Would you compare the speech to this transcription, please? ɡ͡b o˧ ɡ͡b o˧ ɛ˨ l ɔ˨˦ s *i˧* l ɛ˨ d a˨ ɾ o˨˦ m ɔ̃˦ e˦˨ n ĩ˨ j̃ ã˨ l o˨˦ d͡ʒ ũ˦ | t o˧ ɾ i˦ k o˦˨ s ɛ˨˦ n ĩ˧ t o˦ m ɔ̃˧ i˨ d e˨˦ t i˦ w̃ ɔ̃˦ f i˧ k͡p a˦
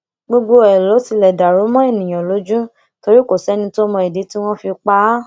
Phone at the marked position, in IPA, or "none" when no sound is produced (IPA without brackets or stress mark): i˧